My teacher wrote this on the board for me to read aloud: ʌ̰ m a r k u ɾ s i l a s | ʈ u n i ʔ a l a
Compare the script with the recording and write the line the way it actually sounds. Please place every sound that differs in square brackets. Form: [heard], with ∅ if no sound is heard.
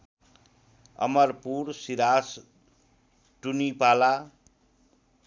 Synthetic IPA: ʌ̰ m [ʌ] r [p] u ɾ s i [ɾ] a s | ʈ u n i [p] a l a